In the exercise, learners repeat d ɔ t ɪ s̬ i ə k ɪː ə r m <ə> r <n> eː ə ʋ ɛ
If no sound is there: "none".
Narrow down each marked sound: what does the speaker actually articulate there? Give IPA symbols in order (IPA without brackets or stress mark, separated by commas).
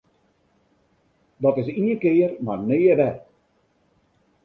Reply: a, n